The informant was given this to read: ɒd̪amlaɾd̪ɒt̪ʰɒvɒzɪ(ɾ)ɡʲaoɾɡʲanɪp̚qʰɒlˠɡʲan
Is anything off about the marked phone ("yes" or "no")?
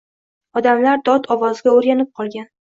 yes